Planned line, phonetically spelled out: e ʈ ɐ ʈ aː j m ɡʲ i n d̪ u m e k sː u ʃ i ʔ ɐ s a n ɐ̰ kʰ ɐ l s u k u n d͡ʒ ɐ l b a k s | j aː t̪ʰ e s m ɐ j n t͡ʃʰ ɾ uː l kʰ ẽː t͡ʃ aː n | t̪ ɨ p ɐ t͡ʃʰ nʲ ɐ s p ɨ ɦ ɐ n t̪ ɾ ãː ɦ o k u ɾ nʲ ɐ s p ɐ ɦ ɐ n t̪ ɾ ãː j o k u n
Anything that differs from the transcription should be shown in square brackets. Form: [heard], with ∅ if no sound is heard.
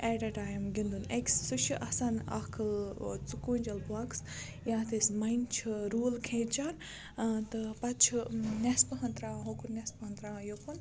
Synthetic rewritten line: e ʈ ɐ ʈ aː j m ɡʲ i n d̪ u [n] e k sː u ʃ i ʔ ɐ s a n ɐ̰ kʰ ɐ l [t͡s] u k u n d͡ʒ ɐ l b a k s | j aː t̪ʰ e s m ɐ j n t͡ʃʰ ɾ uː l kʰ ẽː t͡ʃ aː n | t̪ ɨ p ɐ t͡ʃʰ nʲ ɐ s p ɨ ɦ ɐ n t̪ ɾ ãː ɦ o k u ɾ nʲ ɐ s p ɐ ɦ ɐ n t̪ ɾ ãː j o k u n